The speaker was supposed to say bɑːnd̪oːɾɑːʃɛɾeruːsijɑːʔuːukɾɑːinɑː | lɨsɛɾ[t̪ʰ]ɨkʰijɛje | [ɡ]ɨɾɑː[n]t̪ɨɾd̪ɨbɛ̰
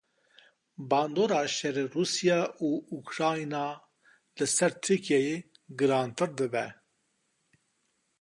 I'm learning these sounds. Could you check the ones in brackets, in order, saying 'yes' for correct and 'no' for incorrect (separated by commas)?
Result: yes, yes, yes